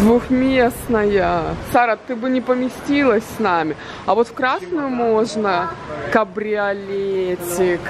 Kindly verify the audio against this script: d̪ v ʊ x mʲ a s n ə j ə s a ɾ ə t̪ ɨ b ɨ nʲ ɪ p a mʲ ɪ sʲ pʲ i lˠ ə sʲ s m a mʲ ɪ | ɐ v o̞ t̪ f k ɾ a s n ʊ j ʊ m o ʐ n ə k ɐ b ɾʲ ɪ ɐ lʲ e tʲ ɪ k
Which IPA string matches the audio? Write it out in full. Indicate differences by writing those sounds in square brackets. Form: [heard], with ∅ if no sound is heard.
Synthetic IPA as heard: d̪ v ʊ x mʲ [e] s n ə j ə s a ɾ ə t̪ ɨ b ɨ nʲ ɪ p [ə] mʲ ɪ sʲ [tʲ] i lˠ ə sʲ s [n] a mʲ ɪ | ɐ v o̞ t̪ f k ɾ a s n ʊ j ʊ m o ʐ n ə k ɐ b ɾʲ ɪ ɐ lʲ e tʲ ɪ k